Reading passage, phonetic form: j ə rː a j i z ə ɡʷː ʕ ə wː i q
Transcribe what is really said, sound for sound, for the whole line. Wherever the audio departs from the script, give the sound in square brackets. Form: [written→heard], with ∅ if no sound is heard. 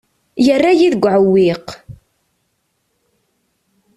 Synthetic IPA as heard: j ə rː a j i [z→ð] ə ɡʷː ʕ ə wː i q